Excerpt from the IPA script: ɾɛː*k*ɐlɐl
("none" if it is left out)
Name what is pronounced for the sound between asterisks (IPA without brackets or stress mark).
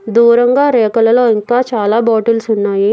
k